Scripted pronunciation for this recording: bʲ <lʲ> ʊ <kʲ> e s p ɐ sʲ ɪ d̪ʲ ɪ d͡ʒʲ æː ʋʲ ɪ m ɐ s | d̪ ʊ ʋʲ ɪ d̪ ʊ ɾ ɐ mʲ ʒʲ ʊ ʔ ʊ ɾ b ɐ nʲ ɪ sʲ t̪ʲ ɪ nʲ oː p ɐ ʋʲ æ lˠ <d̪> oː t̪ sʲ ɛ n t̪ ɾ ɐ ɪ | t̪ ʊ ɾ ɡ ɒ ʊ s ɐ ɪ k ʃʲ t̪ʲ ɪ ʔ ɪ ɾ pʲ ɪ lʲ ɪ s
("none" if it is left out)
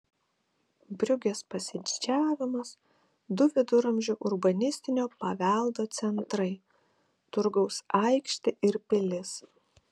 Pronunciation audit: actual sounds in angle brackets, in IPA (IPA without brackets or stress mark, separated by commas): ɾʲ, ɡʲ, d̪